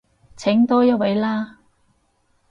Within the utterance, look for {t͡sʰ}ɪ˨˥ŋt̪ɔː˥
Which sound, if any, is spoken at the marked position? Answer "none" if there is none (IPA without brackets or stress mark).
t͡sʰ